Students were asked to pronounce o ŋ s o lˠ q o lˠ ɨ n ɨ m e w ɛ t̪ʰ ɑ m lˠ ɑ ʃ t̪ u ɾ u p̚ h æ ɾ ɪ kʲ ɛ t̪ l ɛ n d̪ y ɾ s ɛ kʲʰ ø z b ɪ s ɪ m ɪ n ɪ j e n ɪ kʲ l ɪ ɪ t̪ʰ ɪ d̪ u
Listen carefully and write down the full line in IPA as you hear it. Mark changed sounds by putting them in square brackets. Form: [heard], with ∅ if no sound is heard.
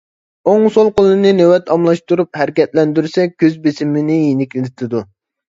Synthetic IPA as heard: o ŋ s o lˠ q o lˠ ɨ n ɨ [n] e w ɛ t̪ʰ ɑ m lˠ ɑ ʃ t̪ u ɾ u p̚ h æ ɾ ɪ kʲ ɛ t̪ l ɛ n d̪ y ɾ s ɛ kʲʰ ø z b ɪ s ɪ m ɪ n ɪ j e n ɪ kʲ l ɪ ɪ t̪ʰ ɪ d̪ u